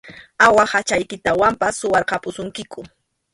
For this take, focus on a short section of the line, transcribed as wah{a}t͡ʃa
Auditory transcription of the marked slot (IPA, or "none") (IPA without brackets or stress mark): a